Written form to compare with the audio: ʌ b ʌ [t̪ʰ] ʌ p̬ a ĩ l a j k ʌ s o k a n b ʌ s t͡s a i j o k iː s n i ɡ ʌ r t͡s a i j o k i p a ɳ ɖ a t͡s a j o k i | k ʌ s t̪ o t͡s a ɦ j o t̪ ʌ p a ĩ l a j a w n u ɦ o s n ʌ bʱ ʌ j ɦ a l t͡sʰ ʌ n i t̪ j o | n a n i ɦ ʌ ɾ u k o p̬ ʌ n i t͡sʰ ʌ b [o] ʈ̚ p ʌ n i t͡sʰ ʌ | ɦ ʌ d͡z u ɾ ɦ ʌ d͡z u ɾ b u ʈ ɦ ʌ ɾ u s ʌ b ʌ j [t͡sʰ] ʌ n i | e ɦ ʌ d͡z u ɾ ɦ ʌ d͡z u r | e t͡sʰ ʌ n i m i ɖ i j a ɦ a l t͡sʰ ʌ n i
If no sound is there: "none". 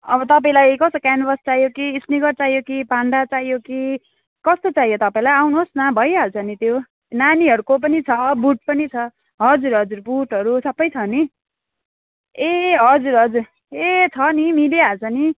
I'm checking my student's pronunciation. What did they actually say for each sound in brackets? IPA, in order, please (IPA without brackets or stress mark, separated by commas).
t̪, u, t͡sʰ